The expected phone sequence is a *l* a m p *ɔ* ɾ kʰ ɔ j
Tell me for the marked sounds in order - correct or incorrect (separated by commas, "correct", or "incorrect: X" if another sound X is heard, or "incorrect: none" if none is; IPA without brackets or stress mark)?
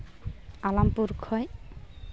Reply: correct, incorrect: u